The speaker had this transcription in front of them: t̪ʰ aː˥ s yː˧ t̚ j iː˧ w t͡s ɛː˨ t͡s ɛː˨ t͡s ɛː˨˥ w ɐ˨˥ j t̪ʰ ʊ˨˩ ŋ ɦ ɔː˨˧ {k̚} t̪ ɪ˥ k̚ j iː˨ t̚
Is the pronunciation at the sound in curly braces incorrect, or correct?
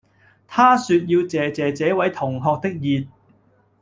correct